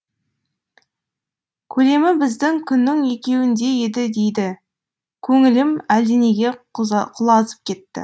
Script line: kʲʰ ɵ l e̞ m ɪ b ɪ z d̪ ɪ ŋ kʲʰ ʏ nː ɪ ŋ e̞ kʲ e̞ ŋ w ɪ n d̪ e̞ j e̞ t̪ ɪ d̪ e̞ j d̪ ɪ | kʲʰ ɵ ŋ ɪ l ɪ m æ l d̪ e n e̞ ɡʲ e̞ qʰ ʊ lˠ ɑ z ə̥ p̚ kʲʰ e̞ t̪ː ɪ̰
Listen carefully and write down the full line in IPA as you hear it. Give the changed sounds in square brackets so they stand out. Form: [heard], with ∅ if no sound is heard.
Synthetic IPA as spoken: kʲʰ ɵ l e̞ m ɪ b ɪ z d̪ ɪ ŋ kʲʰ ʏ nː ɪ ŋ e̞ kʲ e̞ [∅] w ɪ n d̪ e̞ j e̞ [d̪] ɪ d̪ e̞ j d̪ ɪ | kʲʰ ɵ ŋ ɪ l ɪ m æ l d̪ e n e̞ ɡʲ e̞ qʰ ʊ lˠ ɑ z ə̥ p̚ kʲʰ e̞ t̪ː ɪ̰